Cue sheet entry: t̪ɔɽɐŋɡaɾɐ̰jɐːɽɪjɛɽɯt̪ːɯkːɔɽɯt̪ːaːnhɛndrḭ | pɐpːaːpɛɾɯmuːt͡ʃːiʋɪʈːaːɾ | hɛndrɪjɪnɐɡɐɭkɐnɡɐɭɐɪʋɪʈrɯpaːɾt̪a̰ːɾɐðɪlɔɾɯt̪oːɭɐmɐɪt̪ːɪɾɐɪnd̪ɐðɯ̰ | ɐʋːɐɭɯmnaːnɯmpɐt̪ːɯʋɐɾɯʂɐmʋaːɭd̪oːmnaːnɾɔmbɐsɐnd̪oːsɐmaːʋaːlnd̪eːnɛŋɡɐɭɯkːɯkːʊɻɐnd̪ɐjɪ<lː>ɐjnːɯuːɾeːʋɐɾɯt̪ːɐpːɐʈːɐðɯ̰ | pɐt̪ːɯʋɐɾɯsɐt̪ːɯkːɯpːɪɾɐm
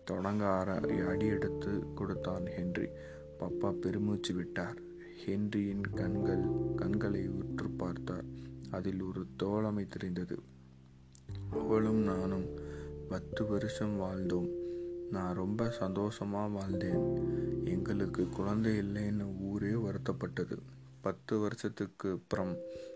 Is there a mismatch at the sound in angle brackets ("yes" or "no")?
no